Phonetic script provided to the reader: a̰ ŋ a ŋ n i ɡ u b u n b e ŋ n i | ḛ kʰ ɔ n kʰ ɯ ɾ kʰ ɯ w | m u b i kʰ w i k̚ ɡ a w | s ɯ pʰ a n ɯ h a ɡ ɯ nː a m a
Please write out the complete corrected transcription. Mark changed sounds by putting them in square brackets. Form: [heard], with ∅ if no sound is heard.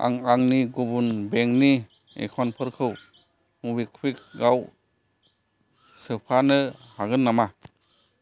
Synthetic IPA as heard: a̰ ŋ a ŋ n i ɡ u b u n b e ŋ n i | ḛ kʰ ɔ n [pʰ] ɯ ɾ kʰ ɯ w | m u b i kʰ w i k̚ ɡ a w | s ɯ pʰ a n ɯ h a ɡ ɯ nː a m a